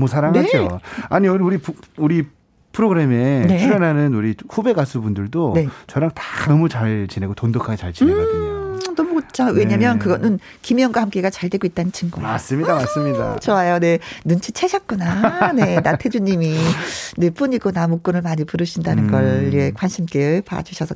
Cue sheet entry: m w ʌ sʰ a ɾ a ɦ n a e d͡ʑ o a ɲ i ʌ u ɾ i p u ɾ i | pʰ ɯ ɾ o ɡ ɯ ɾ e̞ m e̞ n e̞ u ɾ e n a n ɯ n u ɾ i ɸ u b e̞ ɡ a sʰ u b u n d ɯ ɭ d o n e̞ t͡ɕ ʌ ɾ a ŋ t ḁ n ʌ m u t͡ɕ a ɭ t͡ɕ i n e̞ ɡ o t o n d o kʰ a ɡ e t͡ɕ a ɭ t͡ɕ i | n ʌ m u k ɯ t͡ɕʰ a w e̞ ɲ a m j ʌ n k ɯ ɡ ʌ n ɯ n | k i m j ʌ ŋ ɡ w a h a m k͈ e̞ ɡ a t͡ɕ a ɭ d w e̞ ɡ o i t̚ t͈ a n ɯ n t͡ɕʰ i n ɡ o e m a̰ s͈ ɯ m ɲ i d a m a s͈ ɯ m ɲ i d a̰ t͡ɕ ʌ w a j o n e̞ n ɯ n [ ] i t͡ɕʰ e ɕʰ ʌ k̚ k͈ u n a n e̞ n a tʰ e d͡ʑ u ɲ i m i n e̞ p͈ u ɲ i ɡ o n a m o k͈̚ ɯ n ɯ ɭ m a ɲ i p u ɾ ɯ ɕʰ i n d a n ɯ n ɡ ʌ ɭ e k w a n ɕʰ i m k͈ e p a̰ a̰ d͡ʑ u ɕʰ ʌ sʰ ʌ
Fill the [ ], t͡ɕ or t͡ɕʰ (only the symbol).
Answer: t͡ɕʰ